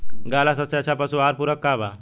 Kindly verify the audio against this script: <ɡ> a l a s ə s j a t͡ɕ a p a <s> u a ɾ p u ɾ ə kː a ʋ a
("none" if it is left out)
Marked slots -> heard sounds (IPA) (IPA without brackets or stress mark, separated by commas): ɡ, s